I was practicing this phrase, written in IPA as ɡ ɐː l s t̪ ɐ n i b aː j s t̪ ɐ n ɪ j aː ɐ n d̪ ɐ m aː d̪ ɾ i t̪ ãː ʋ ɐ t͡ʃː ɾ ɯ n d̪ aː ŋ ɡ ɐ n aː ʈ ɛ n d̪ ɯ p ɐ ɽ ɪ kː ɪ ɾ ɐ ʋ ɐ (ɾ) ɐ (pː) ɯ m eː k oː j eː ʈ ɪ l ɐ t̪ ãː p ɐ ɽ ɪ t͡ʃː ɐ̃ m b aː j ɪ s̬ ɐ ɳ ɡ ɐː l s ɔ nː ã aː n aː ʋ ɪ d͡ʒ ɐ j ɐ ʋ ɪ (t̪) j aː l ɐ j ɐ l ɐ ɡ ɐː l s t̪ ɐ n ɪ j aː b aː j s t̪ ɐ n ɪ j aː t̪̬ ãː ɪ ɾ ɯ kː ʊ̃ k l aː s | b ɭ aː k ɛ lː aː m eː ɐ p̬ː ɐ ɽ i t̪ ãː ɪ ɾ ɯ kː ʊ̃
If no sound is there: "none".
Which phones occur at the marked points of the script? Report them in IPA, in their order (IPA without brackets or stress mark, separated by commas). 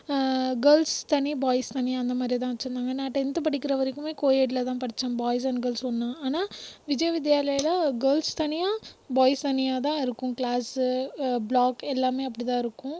ɾ, kː, d̪